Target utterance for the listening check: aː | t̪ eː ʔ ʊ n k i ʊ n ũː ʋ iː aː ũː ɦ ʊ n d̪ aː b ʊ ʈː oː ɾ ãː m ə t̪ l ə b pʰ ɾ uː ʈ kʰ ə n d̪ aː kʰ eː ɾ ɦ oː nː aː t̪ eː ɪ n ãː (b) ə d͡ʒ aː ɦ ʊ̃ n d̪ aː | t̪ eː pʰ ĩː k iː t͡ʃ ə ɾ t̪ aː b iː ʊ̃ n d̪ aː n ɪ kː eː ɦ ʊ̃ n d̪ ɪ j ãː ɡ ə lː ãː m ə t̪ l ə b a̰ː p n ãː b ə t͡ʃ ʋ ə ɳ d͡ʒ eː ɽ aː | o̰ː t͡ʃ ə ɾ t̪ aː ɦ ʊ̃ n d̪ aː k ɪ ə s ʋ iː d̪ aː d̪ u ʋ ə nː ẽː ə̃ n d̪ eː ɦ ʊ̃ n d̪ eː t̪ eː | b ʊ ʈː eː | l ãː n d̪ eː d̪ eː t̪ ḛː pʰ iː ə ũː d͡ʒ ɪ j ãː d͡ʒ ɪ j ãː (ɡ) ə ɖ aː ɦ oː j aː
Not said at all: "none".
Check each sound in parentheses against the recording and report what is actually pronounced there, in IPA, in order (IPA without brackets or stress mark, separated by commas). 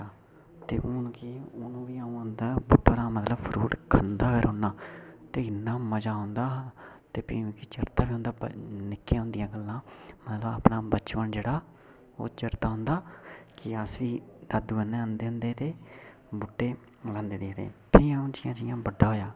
m, b